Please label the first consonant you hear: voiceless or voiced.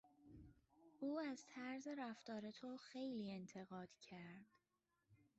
voiced